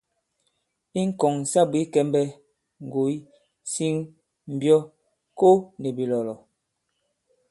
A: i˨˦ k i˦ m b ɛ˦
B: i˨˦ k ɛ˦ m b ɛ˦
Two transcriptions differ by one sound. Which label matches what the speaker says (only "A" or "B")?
B